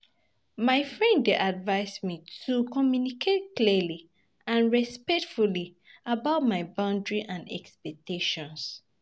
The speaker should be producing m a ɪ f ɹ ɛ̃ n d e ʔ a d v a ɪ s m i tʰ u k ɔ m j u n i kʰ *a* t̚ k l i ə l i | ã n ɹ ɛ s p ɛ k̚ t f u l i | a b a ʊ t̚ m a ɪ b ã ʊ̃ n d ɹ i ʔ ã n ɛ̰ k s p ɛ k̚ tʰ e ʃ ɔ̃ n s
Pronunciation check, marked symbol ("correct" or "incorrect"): incorrect